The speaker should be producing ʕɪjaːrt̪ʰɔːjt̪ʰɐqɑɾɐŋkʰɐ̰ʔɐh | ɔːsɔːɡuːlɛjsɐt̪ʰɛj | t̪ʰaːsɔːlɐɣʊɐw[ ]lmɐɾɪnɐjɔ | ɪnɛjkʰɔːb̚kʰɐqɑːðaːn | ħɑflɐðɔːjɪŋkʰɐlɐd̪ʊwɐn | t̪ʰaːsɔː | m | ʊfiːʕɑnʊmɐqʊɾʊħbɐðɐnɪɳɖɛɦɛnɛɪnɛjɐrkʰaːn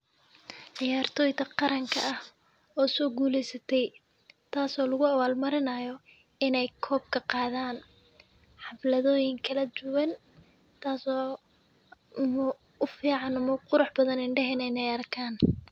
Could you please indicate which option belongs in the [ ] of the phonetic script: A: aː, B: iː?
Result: A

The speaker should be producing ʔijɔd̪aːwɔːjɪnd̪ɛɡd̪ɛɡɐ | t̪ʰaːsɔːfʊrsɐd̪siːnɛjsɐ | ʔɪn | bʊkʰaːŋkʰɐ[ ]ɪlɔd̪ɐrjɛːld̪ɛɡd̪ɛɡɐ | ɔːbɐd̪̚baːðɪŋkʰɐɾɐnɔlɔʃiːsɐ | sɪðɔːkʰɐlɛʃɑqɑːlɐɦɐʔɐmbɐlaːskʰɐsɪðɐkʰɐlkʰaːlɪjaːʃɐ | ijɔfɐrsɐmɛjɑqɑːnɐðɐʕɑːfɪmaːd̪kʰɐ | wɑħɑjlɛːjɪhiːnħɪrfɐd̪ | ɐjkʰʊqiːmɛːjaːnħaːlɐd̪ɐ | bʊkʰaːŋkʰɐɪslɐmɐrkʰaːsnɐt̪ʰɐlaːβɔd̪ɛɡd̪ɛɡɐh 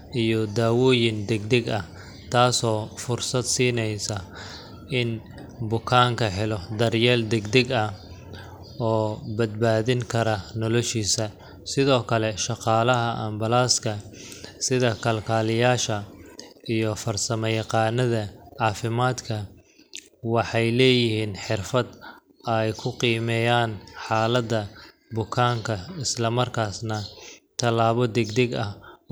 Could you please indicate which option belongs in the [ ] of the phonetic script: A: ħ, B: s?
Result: A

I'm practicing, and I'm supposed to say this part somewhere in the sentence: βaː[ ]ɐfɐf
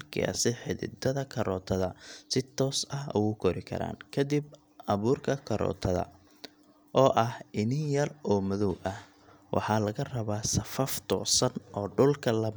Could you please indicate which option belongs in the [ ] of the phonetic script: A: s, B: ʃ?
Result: A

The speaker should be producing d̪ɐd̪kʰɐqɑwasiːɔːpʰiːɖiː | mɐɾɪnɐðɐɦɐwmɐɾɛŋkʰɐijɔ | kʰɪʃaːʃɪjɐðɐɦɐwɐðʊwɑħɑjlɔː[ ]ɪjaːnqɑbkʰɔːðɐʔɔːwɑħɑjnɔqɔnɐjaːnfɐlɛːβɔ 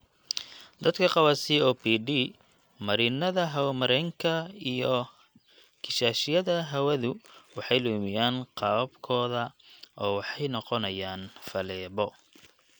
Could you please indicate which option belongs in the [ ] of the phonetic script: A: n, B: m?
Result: B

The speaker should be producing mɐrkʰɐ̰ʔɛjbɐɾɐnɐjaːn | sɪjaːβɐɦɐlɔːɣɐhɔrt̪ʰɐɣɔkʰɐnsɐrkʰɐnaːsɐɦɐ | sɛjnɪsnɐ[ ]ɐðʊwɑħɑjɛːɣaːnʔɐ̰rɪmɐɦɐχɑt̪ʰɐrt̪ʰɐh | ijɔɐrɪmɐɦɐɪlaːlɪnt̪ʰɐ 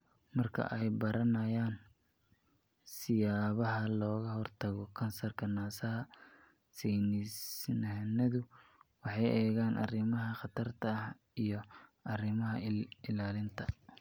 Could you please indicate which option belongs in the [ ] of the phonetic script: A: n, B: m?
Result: A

